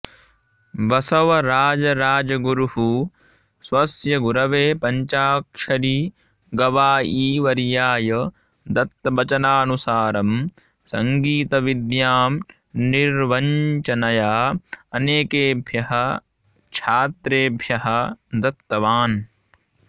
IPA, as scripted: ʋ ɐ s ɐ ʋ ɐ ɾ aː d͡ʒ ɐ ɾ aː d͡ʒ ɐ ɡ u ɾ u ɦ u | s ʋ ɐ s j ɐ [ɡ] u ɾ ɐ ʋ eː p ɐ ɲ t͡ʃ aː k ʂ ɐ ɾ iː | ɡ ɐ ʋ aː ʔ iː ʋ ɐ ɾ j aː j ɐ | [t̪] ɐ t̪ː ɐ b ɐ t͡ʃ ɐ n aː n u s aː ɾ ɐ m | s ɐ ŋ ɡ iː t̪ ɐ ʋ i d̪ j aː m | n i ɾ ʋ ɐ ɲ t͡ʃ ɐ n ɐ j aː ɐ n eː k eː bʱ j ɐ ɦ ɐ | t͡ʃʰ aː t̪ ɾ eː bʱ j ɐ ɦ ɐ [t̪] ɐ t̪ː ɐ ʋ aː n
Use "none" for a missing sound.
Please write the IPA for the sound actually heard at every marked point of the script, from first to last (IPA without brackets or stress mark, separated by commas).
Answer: ɡ, d̪, d̪